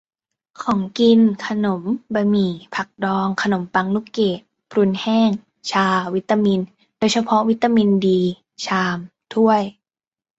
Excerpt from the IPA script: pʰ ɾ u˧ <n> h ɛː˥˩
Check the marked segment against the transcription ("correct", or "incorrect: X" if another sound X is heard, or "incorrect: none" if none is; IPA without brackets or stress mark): correct